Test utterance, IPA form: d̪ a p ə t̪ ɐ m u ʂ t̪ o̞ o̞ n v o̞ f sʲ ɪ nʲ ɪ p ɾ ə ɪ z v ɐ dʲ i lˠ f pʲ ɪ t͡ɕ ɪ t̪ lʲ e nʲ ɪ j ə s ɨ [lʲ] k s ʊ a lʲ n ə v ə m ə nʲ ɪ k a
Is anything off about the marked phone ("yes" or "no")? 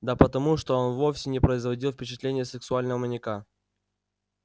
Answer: yes